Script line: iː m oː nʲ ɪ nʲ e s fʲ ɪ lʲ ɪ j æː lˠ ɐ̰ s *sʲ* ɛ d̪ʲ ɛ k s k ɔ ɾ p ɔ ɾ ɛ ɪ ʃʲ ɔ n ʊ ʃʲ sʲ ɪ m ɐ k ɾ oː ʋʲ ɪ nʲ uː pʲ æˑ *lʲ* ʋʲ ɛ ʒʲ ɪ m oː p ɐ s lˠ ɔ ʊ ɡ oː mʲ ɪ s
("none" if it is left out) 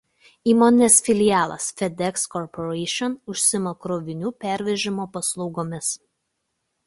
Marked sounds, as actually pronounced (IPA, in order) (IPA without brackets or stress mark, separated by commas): fʲ, ɾʲ